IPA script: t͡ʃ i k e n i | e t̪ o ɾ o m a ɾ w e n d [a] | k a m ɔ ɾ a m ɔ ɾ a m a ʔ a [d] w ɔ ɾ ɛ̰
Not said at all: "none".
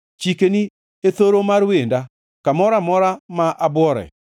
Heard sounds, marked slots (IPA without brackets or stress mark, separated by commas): a, b